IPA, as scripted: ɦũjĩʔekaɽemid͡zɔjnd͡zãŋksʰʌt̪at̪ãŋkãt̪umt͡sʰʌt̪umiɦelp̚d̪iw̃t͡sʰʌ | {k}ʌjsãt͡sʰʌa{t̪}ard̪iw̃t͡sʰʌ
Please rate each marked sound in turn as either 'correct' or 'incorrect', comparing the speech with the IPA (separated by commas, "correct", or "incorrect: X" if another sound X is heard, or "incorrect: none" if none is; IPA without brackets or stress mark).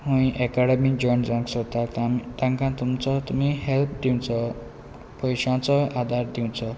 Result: incorrect: p, incorrect: d̪